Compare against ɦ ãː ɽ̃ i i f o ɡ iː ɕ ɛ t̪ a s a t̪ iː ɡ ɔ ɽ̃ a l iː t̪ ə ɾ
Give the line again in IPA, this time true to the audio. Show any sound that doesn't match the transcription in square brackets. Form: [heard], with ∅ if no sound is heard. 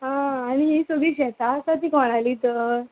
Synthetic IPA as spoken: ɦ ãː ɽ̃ i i [s] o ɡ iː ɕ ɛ t̪ a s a t̪ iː [k] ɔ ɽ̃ a l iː t̪ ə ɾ